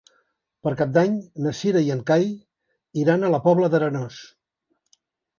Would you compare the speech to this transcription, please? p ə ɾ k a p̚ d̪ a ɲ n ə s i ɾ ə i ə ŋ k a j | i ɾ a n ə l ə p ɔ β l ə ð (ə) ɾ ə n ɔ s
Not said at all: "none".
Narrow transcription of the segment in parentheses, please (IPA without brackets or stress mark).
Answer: ə